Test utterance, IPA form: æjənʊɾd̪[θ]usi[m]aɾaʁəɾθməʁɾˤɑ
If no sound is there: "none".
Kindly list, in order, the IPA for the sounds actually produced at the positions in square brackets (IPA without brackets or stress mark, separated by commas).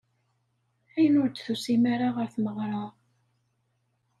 θ, m